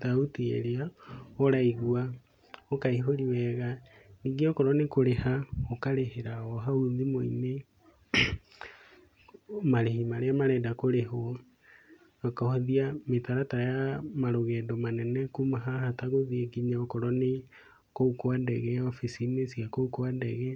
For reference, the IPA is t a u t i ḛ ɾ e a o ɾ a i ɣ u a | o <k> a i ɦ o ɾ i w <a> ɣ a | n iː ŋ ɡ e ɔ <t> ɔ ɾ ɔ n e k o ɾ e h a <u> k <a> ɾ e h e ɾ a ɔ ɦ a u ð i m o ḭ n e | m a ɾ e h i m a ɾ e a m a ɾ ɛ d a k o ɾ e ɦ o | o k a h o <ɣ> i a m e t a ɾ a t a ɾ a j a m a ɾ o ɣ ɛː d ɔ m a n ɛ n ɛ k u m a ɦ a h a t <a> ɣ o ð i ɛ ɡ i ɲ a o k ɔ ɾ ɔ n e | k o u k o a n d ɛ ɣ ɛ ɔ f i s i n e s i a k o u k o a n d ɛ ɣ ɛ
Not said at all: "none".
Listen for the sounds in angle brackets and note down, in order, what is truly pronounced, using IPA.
k, ɛ, k, o, a, ð, a

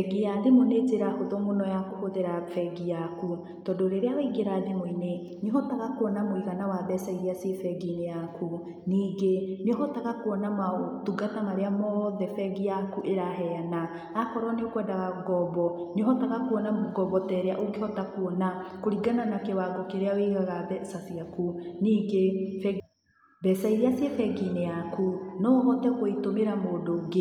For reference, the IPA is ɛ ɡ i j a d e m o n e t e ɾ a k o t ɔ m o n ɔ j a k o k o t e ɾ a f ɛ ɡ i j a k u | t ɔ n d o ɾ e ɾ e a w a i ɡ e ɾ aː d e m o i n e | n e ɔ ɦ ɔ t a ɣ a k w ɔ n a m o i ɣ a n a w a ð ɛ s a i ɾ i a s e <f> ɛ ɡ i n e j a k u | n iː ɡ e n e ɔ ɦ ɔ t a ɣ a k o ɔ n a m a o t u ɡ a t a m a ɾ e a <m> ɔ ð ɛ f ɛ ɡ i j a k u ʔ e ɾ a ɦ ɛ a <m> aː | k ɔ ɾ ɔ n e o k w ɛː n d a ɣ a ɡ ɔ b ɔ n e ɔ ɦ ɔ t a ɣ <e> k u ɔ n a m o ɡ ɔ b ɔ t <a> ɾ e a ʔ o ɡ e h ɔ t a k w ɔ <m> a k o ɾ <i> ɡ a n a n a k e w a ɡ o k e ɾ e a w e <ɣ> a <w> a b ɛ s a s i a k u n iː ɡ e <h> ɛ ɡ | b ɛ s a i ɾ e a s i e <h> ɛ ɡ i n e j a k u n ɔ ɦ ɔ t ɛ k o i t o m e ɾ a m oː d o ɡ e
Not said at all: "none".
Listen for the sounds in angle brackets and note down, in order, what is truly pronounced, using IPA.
f, m, n, a, ɛ, n, i, ɣ, ɣ, f, f

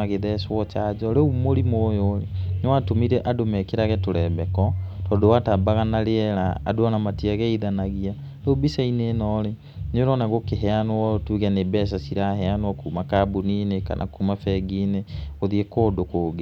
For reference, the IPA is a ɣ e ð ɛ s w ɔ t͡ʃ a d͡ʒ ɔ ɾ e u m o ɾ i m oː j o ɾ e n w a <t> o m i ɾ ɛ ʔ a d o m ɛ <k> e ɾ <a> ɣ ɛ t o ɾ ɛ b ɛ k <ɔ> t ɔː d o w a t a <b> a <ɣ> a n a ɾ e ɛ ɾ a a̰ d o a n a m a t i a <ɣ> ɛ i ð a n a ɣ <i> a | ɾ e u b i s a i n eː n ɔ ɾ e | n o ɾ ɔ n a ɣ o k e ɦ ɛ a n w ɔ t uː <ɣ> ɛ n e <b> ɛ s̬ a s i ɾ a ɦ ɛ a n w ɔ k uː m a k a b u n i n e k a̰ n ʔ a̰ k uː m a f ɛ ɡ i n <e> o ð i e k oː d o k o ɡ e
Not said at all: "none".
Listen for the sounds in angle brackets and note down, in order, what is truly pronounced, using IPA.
t, k, a, ɔ, b, ɣ, ɣ, i, ɣ, b, e

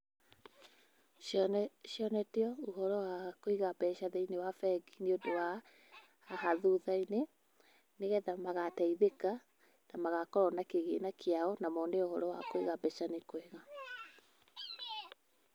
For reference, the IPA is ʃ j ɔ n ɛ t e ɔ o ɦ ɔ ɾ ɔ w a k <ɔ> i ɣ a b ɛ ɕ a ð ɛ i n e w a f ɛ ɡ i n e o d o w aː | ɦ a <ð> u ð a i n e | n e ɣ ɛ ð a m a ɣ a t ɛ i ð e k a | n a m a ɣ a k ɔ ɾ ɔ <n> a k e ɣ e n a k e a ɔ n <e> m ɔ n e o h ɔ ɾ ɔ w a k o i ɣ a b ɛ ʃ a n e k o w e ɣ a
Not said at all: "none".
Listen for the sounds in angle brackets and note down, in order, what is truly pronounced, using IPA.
o, ð, n, a

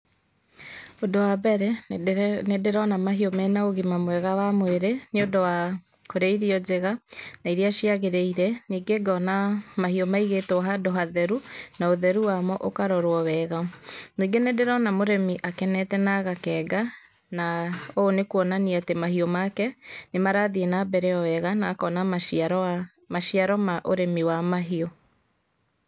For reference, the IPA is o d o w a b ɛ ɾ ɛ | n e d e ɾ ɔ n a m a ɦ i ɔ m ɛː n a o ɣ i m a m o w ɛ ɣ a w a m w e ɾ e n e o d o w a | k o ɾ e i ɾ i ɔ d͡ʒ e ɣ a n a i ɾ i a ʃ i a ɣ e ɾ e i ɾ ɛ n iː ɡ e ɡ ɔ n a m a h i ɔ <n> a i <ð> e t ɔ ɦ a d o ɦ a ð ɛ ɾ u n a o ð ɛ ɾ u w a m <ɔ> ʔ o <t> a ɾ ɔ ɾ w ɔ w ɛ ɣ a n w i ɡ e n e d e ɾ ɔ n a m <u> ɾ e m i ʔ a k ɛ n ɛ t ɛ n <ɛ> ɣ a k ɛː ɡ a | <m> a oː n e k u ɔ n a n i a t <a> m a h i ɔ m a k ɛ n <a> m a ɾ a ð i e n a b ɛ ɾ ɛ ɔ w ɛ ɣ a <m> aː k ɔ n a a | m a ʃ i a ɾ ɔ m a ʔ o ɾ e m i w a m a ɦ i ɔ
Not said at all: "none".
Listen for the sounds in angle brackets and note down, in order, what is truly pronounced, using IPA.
m, ɣ, ɔ, k, o, a, n, e, e, n

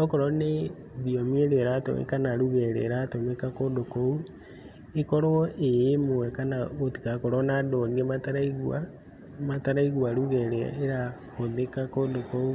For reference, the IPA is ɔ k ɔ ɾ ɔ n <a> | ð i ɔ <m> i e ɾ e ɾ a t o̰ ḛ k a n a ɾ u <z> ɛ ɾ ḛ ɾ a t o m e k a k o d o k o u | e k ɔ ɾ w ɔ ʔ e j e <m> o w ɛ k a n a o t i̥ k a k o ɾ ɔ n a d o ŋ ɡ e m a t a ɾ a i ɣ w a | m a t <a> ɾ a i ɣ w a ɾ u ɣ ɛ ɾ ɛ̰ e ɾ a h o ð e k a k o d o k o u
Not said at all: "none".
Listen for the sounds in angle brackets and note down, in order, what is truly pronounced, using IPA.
e, m, ɣ, m, a

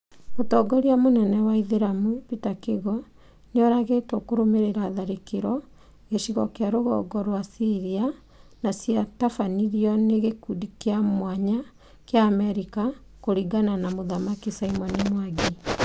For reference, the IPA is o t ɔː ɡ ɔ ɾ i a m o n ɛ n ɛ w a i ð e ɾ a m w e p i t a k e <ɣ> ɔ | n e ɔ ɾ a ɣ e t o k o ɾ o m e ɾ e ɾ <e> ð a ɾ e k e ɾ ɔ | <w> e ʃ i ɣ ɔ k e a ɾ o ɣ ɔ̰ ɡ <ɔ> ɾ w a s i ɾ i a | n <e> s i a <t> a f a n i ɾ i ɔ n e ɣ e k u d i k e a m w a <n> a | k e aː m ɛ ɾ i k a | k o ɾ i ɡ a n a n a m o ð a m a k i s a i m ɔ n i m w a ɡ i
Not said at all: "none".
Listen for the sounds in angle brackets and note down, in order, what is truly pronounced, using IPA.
ɣ, a, ɣ, ɔ, a, t, ɲ

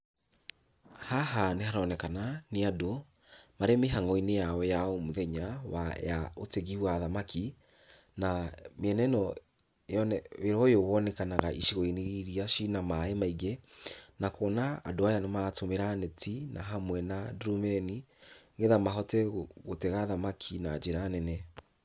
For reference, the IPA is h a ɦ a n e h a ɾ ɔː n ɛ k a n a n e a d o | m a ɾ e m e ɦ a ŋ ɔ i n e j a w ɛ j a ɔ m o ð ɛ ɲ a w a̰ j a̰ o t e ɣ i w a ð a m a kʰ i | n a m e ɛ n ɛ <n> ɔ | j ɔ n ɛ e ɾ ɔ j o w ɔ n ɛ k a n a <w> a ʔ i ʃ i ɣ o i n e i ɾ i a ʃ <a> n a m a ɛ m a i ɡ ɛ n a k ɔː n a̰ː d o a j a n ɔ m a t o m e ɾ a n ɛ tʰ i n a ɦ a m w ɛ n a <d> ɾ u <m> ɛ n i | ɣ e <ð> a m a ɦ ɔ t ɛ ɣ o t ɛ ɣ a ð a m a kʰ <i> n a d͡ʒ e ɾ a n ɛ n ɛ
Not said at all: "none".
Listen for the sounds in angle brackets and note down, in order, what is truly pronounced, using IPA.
n, ɣ, i, d, m, ð, i

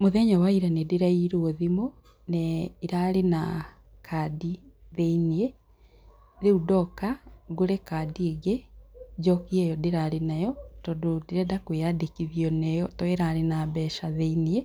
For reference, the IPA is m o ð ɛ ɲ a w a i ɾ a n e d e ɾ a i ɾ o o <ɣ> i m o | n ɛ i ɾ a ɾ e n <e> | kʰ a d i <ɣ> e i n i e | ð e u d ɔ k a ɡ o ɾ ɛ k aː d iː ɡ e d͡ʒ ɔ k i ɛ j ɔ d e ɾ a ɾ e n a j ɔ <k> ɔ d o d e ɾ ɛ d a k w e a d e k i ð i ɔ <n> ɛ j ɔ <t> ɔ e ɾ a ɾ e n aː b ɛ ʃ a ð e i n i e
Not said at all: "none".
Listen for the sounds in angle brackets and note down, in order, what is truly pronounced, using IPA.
ð, a, ð, t, n, t

